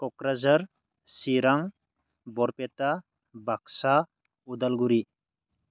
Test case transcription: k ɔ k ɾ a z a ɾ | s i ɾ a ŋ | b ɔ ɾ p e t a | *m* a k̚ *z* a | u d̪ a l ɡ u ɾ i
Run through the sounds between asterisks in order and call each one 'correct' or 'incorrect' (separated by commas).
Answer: incorrect, incorrect